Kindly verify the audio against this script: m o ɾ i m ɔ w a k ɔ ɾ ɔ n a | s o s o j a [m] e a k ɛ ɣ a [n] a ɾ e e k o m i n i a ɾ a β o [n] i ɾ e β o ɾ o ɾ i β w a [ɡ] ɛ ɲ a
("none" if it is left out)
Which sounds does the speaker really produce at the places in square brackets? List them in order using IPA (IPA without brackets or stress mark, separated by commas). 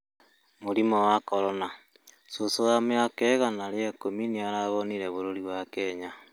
m, n, n, k